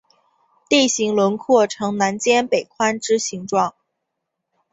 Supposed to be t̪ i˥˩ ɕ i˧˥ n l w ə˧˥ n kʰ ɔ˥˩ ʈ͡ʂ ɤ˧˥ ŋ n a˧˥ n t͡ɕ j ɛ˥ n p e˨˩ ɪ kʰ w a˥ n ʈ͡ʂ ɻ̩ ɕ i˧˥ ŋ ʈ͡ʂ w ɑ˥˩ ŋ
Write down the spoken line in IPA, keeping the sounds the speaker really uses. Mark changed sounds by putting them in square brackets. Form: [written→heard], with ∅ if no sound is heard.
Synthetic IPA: t̪ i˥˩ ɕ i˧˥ [n→ŋ] l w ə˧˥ n kʰ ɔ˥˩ [ʈ͡ʂ→ʈ͡ʂʰ] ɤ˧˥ ŋ n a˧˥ n t͡ɕ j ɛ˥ n p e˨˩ ɪ kʰ w a˥ n ʈ͡ʂ ɻ̩ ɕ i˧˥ ŋ ʈ͡ʂ w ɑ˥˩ ŋ